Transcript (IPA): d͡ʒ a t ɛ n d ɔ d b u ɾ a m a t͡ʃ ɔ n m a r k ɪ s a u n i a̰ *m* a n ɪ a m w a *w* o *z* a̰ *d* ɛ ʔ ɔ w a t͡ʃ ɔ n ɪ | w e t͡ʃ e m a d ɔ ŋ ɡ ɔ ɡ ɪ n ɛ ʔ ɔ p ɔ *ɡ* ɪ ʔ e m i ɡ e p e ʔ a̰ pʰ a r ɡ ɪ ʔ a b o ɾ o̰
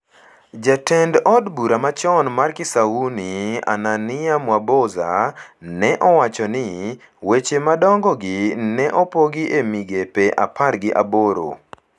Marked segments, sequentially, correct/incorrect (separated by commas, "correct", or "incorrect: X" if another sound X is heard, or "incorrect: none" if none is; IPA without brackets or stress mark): incorrect: n, incorrect: b, correct, incorrect: n, correct